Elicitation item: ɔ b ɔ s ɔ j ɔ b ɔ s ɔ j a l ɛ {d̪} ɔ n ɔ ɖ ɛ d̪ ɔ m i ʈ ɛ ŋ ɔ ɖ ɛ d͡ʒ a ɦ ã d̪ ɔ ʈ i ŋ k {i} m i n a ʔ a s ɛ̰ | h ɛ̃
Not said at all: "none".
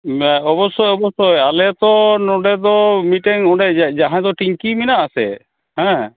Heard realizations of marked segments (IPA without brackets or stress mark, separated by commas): t̪, i